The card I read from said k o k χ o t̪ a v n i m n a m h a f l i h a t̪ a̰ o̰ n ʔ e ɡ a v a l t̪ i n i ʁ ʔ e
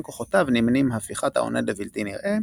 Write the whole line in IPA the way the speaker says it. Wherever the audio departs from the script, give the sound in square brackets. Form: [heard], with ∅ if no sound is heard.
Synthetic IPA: k o [∅] χ o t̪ a v n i m n [i] m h a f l i [χ] a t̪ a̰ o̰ n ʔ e [d] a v [i] l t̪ i n i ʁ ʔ e